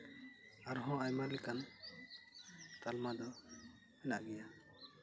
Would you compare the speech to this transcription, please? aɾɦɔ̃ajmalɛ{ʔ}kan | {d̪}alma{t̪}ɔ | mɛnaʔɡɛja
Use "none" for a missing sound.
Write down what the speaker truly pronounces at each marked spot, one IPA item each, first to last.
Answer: none, t̪, d̪

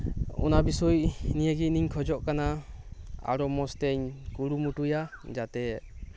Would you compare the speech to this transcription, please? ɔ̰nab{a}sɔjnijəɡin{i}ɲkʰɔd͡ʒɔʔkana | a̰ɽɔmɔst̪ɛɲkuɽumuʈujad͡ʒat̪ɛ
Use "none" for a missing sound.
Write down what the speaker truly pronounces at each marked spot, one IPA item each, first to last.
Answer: i, i

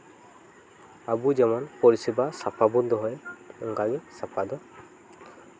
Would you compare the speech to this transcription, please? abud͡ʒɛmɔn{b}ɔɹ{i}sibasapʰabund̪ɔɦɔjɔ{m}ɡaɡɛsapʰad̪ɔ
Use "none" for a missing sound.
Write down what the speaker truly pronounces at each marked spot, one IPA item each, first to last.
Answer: p, i, ŋ

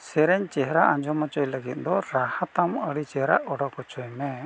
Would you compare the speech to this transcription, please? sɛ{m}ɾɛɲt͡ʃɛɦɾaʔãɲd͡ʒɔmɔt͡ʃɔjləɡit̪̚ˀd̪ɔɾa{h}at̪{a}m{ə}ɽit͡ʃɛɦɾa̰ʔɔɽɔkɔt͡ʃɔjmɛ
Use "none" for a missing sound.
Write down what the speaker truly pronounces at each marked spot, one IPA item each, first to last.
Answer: none, h, a, ə

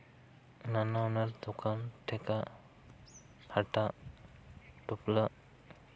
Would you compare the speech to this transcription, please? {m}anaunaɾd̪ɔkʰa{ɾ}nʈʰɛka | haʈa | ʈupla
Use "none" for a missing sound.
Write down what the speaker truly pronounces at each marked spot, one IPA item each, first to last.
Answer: n, none

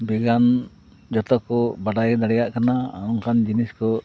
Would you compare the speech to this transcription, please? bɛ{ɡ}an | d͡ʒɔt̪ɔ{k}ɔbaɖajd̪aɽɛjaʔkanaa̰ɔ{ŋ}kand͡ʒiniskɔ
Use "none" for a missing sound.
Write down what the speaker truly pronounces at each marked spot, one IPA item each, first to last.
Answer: ɡ, k, ŋ

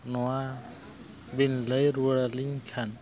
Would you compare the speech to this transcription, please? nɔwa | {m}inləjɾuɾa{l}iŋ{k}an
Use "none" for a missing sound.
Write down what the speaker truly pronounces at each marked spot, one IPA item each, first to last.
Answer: b, l, kʰ

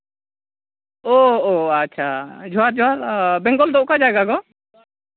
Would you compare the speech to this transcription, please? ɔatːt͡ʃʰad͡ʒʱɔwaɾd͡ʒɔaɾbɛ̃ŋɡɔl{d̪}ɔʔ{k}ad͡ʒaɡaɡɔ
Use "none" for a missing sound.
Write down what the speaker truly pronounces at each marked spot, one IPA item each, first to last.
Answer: d̪, k

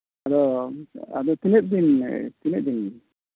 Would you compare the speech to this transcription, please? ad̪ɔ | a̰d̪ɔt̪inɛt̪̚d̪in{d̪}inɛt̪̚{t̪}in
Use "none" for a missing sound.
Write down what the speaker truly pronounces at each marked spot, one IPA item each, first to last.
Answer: t̪, d̪

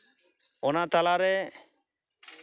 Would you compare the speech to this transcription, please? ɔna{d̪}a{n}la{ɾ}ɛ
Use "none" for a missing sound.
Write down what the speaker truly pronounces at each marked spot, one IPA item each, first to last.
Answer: t̪, none, ɾ

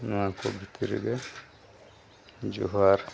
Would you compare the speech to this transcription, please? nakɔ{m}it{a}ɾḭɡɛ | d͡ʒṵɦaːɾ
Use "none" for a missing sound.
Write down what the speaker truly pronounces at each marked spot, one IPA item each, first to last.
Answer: b, i

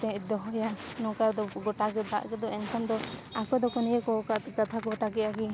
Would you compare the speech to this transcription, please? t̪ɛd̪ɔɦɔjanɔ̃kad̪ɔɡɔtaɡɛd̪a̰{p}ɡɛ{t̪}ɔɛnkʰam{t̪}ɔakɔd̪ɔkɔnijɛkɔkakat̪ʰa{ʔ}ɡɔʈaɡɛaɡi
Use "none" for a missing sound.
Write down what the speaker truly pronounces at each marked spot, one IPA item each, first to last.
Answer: ʔ, d̪, d̪, none

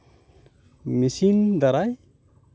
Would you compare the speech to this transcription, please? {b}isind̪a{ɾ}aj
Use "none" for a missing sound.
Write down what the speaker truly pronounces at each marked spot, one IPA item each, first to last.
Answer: m, ɾ

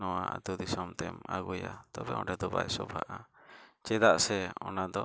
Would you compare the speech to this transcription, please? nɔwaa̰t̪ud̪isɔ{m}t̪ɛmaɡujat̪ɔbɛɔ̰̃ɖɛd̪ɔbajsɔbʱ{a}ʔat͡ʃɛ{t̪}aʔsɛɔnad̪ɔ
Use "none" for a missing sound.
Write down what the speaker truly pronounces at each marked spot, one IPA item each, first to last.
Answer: m, a, d̪

